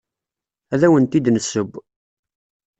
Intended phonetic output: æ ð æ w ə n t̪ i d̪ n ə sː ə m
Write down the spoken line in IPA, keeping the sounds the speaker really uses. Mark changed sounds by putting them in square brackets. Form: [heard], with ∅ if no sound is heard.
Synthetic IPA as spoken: æ ð æ w ə n t̪ i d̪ n ə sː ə [b]